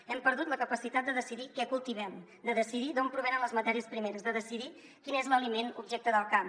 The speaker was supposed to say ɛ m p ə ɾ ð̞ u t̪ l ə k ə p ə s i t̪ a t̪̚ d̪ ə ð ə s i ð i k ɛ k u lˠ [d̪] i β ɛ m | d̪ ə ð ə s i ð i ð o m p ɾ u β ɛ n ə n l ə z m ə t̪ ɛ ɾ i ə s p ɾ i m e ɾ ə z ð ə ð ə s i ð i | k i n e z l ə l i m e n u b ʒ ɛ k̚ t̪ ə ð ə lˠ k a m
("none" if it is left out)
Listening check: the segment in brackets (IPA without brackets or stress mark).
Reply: t̪